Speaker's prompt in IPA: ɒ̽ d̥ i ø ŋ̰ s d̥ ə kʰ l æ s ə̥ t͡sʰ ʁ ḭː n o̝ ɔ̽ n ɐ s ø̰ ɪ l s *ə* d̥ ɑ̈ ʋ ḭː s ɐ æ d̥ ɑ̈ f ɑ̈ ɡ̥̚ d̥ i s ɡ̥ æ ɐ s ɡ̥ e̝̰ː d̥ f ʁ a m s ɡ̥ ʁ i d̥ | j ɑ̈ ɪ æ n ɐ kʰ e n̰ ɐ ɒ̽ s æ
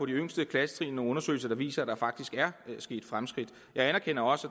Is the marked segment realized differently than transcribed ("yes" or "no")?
yes